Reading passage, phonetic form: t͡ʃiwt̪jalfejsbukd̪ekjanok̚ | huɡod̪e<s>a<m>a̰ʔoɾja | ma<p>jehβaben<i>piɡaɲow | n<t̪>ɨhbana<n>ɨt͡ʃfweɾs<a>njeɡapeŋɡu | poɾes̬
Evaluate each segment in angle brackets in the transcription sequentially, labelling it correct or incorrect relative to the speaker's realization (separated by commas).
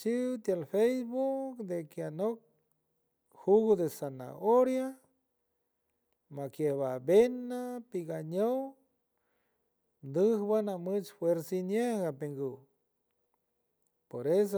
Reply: correct, incorrect, incorrect, incorrect, incorrect, incorrect, incorrect